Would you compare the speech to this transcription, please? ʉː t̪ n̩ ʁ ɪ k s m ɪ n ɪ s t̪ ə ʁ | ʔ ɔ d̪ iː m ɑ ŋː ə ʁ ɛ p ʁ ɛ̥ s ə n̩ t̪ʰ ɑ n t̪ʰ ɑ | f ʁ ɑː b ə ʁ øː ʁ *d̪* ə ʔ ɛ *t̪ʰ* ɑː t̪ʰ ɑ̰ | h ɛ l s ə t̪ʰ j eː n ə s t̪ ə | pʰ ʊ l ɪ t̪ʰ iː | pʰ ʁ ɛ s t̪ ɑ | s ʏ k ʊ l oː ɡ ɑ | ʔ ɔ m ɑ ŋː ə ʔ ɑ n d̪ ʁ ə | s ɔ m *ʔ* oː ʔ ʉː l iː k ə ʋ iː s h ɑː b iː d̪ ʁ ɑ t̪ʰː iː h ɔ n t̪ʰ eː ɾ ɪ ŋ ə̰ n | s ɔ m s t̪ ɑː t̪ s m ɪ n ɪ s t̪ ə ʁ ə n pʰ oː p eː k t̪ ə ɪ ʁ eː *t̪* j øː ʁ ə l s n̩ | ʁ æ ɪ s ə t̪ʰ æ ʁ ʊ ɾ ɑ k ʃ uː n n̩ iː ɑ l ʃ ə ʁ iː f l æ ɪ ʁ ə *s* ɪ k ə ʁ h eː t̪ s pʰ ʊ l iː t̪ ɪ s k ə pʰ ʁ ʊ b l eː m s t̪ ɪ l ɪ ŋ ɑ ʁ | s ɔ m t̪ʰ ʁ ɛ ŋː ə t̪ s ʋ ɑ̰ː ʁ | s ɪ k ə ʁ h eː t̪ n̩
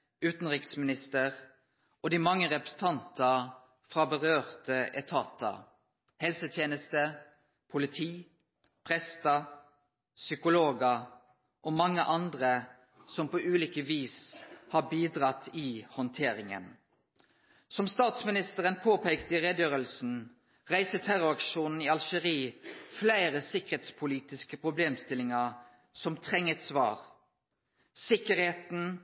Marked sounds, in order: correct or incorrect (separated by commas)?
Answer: incorrect, correct, incorrect, incorrect, correct